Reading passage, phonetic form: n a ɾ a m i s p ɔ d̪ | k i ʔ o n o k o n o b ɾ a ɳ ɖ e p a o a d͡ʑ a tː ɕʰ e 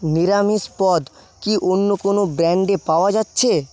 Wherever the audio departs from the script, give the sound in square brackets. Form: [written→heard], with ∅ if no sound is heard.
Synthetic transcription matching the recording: n [a→i] ɾ a m i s p ɔ d̪ | k i ʔ o [n→nː] o k o n o b ɾ [a→ɛ] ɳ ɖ e p a o a d͡ʑ a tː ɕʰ e